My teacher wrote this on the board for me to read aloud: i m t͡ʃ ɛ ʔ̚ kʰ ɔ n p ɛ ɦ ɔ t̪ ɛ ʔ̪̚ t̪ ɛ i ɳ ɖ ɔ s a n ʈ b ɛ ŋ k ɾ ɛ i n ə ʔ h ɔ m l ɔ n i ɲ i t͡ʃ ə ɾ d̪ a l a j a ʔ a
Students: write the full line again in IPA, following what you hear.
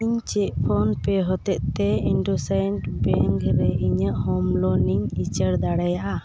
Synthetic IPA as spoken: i ɲ t͡ʃ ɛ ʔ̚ pʰ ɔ n p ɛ ɦ ɔ t̪ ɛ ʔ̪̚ t̪ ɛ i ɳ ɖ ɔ s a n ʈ b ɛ ŋ k ɾ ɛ i ɲ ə ʔ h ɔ m l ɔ n i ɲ i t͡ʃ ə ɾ d̪ a ɽ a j a ʔ a